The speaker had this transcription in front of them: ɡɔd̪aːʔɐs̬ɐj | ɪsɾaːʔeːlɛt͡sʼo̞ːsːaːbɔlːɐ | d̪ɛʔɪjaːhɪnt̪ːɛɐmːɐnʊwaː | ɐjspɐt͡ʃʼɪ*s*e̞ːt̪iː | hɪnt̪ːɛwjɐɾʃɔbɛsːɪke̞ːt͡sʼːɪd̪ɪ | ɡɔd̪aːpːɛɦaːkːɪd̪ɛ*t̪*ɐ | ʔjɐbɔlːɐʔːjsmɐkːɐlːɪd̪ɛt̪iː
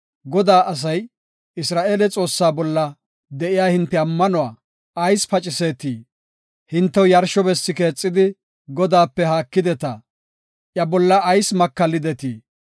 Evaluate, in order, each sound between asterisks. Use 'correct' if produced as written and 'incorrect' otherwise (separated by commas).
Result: correct, correct